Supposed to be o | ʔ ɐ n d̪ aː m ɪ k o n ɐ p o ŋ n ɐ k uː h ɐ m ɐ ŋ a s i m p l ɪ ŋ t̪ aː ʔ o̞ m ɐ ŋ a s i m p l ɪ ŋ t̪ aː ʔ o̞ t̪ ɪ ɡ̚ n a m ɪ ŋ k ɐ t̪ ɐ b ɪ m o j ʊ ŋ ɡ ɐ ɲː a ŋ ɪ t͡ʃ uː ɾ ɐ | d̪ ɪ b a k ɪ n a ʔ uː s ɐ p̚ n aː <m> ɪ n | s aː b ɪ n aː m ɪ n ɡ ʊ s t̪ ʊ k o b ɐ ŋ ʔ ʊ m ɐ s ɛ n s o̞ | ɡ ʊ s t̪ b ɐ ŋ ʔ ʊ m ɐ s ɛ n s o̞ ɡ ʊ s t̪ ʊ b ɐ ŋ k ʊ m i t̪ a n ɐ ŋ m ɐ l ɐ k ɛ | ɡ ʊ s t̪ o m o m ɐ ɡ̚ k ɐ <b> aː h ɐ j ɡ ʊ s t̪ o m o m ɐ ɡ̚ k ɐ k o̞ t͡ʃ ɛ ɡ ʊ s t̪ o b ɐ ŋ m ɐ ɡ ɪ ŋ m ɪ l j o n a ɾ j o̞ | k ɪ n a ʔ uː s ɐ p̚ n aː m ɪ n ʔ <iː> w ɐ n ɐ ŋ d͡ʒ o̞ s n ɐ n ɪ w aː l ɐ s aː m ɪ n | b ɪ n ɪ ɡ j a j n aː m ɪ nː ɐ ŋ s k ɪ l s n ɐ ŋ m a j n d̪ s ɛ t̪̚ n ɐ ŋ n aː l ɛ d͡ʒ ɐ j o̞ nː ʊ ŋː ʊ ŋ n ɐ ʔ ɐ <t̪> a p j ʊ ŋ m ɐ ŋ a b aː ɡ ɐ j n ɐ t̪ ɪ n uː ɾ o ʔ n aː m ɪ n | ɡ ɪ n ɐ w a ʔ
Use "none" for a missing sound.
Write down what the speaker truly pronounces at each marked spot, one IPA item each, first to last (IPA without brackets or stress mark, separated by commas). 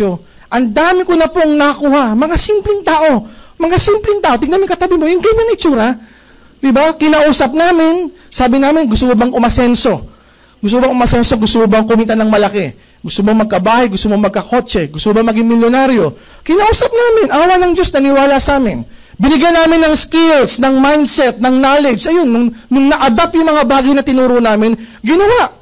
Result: m, b, aː, d̪